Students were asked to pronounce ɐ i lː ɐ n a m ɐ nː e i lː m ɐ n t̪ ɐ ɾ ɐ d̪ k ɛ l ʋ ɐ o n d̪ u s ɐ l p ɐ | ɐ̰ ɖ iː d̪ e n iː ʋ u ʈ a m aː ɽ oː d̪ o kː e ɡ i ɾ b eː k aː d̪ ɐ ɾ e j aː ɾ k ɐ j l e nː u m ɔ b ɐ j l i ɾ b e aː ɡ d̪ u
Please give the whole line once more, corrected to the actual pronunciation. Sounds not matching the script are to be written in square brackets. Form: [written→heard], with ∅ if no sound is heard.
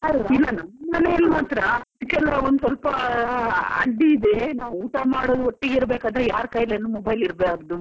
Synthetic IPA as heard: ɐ i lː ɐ n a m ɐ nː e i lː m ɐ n t̪ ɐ ɾ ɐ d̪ k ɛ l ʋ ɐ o n d̪ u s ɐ l p ɐ | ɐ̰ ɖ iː d̪ e n [iː→aː] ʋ [u→uː] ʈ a m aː ɽ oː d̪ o [kː→ʈː] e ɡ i ɾ b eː k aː d̪ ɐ ɾ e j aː ɾ k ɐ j l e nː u m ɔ b ɐ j l i ɾ b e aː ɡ d̪ u